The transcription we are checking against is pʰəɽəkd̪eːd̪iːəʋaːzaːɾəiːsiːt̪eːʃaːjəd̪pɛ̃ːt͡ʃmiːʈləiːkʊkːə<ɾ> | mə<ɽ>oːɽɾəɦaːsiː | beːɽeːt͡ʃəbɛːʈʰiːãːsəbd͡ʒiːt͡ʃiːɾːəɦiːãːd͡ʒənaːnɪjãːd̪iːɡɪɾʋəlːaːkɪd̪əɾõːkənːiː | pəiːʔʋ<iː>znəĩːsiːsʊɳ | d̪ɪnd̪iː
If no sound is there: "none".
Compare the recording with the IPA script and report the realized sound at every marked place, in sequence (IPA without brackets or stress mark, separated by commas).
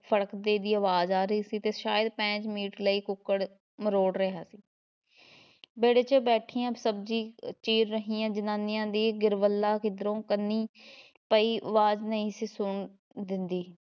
ɽ, ɾ, aː